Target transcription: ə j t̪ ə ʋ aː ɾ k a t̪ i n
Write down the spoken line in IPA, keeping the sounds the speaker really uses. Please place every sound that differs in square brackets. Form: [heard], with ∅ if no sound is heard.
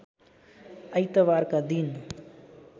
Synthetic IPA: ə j t̪ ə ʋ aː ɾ k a [d̪] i n